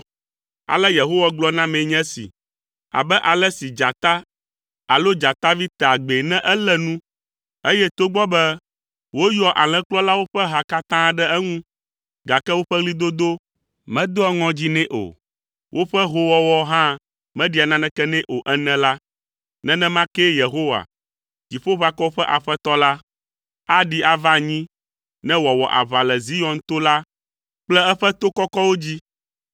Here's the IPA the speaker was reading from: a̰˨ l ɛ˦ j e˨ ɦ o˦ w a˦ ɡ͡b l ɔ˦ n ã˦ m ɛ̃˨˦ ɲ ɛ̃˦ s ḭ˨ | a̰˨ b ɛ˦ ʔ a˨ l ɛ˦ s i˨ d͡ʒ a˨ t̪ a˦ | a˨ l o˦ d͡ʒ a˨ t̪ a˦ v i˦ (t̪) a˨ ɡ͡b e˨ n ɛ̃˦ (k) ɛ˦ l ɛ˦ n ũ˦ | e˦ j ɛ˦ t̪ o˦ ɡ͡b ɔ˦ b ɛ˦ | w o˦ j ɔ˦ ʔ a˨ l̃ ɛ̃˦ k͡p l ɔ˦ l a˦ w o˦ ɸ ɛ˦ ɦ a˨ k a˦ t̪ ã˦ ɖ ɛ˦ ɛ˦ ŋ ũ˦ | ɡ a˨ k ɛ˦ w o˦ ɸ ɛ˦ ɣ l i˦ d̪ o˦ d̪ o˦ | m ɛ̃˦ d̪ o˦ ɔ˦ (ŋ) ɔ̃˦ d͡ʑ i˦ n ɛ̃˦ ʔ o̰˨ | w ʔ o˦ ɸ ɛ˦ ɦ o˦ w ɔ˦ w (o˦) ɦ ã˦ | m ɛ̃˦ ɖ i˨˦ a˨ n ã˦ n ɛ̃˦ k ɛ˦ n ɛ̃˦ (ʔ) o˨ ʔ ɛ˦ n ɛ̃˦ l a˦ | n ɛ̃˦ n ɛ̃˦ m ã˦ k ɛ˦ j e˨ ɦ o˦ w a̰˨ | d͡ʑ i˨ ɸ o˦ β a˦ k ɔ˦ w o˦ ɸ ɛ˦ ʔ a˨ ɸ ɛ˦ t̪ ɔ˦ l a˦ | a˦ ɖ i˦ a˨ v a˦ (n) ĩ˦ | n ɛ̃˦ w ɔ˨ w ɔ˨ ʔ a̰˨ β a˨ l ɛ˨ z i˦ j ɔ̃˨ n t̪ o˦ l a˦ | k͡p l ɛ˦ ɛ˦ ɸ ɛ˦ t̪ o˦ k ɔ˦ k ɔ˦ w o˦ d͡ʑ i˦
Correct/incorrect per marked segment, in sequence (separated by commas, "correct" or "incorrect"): correct, incorrect, correct, incorrect, correct, incorrect